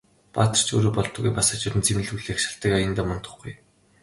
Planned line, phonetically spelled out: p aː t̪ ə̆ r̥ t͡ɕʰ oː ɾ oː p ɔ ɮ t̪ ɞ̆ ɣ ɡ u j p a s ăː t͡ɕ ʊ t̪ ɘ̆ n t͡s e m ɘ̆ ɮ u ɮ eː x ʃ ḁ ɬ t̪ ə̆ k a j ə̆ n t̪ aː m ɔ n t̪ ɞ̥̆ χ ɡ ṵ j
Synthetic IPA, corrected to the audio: p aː t̪ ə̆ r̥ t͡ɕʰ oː ɾ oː p ɔ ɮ t̪ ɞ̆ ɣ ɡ u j p a s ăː t͡ɕ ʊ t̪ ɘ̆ n t͡s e m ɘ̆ ɮ u ɮ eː x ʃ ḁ ɬ t̪ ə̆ k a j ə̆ n t̪ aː m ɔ n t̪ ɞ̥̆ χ ɡ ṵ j